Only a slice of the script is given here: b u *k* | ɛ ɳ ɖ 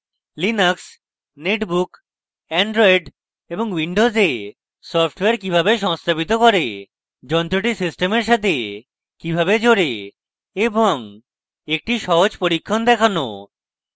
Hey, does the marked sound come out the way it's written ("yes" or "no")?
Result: yes